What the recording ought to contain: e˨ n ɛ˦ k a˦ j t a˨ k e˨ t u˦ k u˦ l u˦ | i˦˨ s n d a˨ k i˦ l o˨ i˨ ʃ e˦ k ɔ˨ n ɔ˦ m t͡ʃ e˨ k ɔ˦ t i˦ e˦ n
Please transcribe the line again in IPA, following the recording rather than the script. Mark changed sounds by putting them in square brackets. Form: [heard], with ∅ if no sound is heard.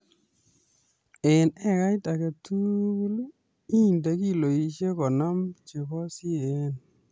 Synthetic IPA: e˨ n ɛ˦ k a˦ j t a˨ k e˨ t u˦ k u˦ l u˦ | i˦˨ [∅] n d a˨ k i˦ l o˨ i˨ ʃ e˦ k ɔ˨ n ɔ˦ m t͡ʃ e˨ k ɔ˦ [s] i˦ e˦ n